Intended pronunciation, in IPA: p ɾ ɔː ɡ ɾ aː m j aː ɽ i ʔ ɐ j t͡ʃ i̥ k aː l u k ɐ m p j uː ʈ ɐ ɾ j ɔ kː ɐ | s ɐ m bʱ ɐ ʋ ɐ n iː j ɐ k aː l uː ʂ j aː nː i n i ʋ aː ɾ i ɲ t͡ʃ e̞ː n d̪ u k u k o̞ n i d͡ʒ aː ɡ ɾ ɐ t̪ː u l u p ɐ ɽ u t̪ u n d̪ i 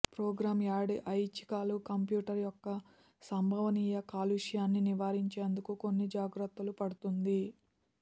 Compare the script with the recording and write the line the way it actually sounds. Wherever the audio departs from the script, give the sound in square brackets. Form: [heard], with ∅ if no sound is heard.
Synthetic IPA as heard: p ɾ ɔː ɡ ɾ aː m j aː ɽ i ʔ ɐ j t͡ʃ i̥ k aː l u k ɐ m p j uː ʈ ɐ ɾ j ɔ kː ɐ | s ɐ m bʱ ɐ ʋ ɐ n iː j ɐ k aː l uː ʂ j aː nː i n i ʋ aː ɾ i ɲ t͡ʃ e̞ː n d̪ u k u k o̞ [nː] i d͡ʒ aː ɡ ɾ ɐ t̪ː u l u p ɐ ɽ u t̪ u n d̪ i